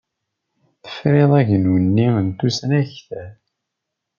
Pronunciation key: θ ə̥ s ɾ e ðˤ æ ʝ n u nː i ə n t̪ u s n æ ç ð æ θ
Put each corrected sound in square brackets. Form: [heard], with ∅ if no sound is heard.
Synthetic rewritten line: θ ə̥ [f] ɾ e ðˤ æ ʝ n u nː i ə n t̪ u s n æ ç [θ] æ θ